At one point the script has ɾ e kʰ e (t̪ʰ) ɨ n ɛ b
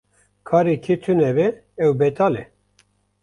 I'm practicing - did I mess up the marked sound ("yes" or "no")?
no